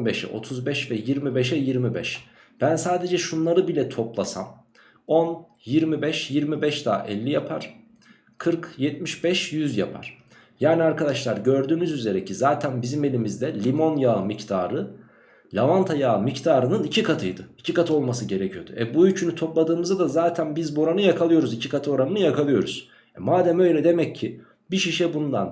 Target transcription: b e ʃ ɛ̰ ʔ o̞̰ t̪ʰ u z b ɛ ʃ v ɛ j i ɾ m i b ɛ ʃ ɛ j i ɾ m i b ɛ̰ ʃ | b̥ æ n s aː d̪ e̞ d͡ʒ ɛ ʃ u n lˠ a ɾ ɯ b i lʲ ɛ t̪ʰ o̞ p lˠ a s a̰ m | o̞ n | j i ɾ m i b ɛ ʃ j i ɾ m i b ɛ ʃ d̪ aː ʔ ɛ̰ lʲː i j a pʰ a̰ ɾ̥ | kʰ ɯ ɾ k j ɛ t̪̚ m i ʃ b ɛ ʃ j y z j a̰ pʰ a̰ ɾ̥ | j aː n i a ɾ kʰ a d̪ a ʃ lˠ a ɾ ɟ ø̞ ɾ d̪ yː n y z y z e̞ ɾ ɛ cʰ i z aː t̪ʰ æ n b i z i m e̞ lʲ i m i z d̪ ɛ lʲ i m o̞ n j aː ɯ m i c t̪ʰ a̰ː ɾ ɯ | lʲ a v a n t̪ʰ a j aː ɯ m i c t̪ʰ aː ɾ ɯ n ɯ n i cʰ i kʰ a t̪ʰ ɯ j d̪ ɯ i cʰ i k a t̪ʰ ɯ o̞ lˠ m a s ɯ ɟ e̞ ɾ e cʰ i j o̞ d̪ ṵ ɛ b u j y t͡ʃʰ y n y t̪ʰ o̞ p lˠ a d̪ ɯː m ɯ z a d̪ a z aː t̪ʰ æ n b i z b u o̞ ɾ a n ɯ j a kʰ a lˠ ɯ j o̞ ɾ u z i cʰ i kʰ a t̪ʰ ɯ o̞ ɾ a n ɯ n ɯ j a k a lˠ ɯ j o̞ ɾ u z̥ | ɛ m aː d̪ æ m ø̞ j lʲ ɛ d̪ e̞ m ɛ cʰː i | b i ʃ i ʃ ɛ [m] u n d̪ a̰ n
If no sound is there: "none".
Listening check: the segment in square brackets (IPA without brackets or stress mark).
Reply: b